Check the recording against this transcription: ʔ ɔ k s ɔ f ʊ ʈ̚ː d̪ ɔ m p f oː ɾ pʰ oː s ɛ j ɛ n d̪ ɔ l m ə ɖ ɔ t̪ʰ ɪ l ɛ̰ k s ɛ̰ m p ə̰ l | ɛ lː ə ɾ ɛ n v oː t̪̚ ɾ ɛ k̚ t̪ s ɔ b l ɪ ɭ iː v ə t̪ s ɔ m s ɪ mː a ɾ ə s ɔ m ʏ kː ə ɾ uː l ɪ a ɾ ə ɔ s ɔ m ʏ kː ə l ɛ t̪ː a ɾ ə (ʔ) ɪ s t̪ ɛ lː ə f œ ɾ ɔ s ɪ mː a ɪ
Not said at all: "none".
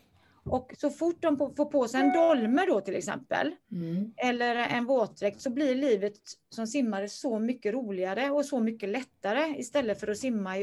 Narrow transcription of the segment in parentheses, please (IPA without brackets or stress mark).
none